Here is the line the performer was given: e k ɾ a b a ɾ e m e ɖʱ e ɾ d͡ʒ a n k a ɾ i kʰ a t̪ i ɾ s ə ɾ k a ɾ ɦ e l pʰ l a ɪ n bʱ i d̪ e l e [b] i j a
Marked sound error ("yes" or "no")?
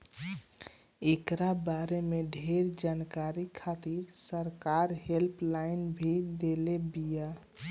no